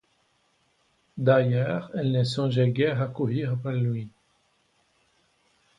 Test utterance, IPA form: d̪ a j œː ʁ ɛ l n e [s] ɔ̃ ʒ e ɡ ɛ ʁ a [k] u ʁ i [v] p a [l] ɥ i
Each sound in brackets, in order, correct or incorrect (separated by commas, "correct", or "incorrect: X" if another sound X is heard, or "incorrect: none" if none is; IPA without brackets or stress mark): correct, correct, incorrect: ʁ, correct